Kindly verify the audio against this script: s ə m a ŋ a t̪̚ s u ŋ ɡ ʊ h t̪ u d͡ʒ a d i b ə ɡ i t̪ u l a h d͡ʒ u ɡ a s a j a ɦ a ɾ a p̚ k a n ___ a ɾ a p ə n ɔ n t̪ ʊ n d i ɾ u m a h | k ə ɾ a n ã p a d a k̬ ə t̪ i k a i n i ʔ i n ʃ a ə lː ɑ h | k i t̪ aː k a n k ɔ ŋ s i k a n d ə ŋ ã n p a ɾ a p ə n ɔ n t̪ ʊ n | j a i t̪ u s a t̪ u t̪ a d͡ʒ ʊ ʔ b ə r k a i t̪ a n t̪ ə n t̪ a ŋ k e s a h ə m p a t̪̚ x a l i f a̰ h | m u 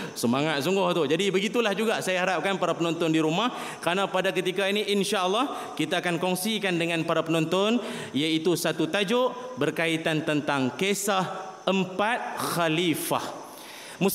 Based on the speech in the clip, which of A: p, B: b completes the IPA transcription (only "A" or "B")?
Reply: A